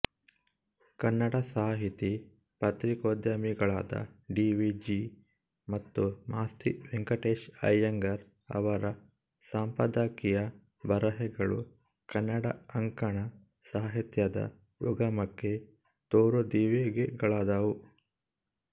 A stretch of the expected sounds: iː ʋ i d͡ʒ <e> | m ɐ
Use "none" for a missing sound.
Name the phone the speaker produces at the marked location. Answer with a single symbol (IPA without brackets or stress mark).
i